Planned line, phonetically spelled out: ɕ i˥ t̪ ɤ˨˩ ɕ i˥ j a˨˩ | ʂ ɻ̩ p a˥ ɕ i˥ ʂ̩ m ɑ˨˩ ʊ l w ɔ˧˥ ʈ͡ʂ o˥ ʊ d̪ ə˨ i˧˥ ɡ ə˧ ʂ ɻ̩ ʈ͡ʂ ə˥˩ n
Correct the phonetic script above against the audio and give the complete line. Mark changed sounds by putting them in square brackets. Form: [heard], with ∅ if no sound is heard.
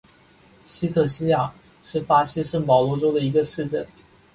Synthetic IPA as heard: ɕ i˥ [t̪ʰ] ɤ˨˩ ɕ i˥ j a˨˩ | ʂ ɻ̩ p a˥ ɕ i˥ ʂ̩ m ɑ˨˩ ʊ l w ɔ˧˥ ʈ͡ʂ o˥ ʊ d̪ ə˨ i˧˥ ɡ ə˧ ʂ ɻ̩ ʈ͡ʂ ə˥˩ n